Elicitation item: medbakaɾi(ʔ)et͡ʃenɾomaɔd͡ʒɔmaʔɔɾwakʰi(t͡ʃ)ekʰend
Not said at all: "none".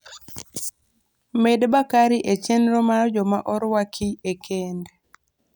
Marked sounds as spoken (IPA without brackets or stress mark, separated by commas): ʔ, none